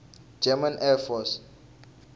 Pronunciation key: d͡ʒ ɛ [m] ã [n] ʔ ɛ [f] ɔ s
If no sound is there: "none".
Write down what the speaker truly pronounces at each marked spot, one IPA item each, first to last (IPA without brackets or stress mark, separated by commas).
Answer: m, n, f